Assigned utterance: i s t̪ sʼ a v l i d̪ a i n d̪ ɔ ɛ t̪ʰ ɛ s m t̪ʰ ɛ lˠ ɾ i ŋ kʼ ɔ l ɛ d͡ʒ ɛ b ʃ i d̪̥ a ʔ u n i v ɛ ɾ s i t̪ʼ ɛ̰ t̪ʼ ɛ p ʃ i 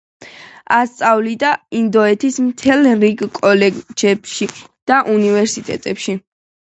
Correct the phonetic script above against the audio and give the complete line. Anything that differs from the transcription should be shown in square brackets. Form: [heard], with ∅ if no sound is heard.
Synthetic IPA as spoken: [a] s t̪ sʼ a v l i d̪ a i n d̪ ɔ ɛ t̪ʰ [i] s m t̪ʰ ɛ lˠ ɾ i [ɡ] kʼ ɔ l ɛ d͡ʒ ɛ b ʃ i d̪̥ a ʔ u n i v ɛ ɾ s i t̪ʼ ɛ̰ t̪ʼ ɛ p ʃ i